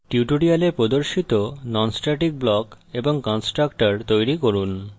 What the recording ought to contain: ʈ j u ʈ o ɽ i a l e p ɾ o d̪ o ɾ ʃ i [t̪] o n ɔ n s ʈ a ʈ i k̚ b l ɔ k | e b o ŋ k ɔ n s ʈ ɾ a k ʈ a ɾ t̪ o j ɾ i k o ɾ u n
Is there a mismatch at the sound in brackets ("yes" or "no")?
no